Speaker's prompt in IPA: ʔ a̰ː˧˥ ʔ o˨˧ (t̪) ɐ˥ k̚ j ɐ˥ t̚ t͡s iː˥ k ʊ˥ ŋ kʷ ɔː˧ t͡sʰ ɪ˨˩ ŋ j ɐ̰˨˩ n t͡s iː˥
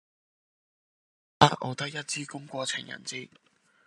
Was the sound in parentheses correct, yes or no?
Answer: yes